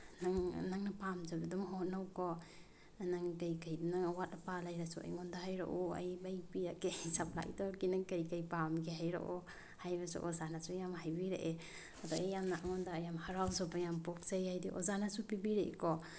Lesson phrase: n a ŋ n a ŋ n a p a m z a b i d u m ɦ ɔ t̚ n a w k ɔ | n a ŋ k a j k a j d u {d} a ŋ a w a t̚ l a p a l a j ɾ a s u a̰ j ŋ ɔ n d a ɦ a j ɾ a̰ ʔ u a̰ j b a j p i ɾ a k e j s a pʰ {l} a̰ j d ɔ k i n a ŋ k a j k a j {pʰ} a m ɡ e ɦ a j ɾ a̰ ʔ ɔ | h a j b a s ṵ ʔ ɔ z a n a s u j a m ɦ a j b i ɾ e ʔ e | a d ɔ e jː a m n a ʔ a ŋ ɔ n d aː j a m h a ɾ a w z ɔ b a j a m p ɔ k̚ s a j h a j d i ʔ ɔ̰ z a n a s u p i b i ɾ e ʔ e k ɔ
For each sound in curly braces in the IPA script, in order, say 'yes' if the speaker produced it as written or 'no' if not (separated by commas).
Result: no, yes, no